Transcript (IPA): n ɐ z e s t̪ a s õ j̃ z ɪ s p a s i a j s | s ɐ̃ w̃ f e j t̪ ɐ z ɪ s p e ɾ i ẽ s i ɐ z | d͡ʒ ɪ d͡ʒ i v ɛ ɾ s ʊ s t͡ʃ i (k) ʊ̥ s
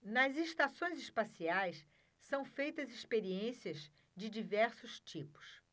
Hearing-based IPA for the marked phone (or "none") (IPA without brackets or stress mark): p